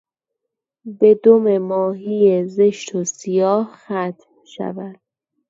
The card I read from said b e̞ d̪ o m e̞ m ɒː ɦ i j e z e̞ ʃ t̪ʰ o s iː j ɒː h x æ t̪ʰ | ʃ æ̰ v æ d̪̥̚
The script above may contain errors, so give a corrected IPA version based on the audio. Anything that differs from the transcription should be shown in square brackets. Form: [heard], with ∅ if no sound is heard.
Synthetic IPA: b e̞ d̪ o m e̞ m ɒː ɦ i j e z e̞ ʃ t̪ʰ o s [i] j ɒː h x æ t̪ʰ | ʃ æ̰ v æ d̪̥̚